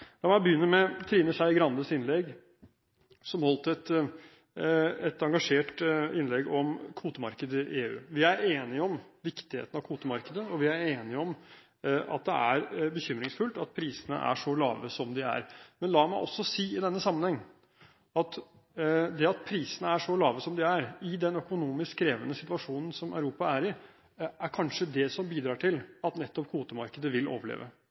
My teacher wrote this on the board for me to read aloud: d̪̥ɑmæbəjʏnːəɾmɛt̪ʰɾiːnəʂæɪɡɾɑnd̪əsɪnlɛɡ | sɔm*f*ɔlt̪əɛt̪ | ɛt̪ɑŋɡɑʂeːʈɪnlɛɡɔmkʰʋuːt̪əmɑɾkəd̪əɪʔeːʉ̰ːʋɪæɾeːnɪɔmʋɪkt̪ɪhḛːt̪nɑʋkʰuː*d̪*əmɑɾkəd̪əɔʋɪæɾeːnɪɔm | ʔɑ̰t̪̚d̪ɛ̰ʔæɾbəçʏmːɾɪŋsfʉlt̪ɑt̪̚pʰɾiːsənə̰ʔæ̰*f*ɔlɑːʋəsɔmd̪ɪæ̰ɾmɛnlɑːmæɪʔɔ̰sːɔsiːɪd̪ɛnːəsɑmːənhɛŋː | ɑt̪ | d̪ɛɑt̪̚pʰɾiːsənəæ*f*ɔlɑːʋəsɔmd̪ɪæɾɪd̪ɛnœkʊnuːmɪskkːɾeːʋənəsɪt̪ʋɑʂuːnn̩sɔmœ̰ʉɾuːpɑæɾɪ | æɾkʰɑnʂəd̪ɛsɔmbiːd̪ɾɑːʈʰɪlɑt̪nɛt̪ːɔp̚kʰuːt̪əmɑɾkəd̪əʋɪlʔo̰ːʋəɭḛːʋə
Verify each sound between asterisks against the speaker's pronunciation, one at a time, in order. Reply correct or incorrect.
incorrect: h, incorrect: t̪, incorrect: ʂ, incorrect: ʂ

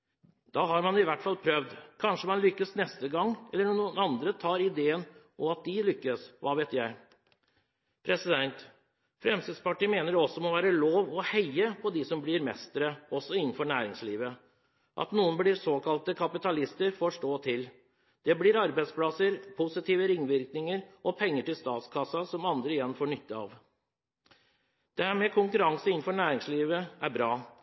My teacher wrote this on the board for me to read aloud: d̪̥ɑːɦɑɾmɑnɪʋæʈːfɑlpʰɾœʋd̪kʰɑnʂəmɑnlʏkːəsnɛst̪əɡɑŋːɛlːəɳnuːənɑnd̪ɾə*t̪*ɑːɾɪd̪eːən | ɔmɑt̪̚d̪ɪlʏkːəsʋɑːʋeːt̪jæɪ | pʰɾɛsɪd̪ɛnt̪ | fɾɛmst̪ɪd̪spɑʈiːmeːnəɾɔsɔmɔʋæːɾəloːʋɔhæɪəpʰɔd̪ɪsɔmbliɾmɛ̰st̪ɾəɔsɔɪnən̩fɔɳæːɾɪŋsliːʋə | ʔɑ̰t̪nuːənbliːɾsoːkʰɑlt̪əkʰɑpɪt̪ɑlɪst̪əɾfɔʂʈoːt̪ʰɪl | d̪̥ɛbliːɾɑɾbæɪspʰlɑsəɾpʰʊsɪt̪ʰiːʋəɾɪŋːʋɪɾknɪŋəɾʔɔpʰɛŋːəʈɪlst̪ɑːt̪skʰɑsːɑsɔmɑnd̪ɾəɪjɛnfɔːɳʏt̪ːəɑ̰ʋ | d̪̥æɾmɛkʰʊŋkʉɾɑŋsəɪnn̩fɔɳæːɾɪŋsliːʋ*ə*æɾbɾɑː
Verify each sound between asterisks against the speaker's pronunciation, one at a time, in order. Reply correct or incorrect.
incorrect: t̪ʰ, correct

